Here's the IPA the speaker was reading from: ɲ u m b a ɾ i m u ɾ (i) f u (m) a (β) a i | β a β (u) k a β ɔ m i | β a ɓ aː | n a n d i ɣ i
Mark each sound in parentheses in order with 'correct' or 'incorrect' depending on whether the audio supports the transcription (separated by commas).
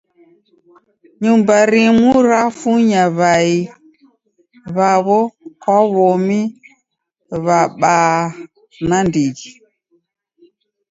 incorrect, incorrect, correct, incorrect